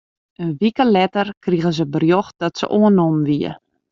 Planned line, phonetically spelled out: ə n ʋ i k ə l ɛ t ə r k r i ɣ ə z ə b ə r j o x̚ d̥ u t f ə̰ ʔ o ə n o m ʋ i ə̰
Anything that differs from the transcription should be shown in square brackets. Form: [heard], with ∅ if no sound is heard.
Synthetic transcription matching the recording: ə n ʋ i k ə l ɛ t ə r k r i ɣ ə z ə b ə r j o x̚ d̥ [ɔ] t [s] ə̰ ʔ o ə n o m ʋ i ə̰